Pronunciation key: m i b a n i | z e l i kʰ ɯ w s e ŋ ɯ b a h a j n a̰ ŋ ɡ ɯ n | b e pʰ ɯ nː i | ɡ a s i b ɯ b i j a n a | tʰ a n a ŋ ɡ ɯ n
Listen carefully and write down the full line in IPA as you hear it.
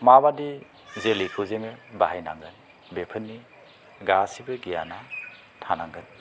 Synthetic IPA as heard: m a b a d i | z e l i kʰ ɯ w z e ŋ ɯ b a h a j n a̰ ŋ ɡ ɯ n | b e pʰ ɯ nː i | ɡ a s i b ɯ ɡ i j a n a | tʰ a n a ŋ ɡ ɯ n